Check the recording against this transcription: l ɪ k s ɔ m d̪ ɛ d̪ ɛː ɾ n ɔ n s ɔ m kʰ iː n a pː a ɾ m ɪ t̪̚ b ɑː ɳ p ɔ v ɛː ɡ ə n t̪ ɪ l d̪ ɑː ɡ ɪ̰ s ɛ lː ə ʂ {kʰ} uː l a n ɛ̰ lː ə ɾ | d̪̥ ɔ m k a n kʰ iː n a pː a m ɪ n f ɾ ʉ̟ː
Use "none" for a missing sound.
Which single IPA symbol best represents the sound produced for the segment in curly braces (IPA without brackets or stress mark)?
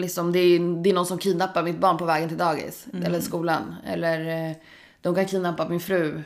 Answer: k